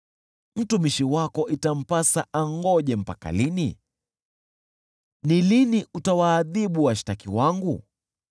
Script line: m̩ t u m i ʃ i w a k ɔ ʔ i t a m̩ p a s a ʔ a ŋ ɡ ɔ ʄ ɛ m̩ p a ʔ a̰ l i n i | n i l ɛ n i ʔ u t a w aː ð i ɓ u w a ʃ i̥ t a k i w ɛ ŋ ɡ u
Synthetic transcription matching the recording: m̩ t u m i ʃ i w a k ɔ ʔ i t a m̩ p a s a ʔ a ŋ ɡ ɔ ʄ ɛ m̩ p a k a̰ l i n i | n i l i n i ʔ u t a w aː ð i ɓ u w a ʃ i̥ t a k i w a ŋ ɡ u